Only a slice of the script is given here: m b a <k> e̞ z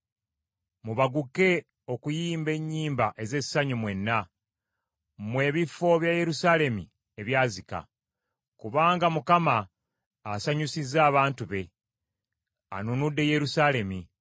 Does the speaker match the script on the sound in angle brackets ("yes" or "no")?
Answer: no